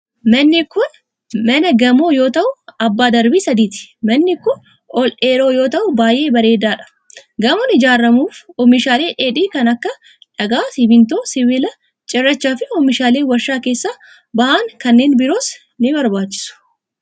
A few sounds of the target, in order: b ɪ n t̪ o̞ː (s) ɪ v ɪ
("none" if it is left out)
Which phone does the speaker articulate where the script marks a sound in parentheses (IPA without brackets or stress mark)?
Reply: s